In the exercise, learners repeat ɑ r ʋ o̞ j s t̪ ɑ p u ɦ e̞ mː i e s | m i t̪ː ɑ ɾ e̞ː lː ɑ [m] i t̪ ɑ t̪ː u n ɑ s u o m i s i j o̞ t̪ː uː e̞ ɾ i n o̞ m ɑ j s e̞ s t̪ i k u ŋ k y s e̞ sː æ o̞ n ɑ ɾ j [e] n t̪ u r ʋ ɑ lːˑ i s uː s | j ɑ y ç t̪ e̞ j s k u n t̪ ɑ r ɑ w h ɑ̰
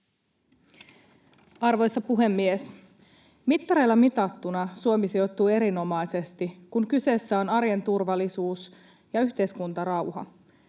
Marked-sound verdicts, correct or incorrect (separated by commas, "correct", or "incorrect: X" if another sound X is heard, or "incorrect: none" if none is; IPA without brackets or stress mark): correct, correct